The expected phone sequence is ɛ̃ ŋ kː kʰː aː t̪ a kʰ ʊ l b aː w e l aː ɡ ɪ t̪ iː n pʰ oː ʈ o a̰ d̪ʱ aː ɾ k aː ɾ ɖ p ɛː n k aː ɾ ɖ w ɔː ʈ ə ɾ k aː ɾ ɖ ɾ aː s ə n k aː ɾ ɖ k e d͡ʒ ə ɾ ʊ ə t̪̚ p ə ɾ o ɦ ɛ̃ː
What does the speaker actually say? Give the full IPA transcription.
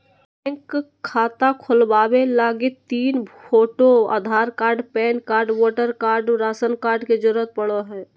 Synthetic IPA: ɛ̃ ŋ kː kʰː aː t̪ a kʰ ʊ l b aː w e l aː ɡ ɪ t̪ iː n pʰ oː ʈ o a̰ d̪ʱ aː ɾ k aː ɾ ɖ p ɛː n k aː ɾ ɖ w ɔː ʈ ə ɾ k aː ɾ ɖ ɾ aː s ə n k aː ɾ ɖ k e d͡ʒ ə ɾ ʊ ə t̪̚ p ə ɽ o ɦ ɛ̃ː